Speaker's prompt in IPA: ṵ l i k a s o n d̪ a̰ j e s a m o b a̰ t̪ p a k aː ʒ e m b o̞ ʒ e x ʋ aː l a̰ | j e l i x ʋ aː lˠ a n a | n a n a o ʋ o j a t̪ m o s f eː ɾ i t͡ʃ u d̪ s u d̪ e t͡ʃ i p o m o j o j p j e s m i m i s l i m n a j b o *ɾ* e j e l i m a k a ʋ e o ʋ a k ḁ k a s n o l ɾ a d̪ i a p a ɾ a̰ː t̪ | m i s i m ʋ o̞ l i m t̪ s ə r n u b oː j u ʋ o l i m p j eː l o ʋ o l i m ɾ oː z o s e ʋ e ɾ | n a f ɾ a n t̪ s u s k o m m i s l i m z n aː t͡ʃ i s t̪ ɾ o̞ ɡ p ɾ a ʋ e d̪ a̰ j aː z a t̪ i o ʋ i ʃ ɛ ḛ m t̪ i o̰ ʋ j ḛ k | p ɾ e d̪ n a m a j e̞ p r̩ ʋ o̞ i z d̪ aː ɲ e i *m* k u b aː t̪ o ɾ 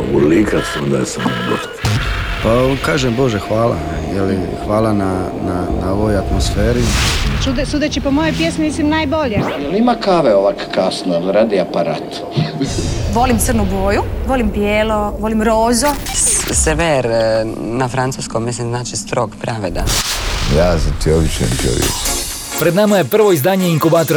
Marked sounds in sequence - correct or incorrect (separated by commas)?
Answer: incorrect, incorrect